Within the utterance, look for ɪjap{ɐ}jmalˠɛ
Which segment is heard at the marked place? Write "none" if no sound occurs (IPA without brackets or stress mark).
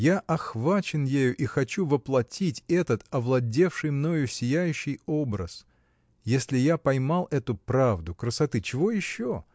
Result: ɐ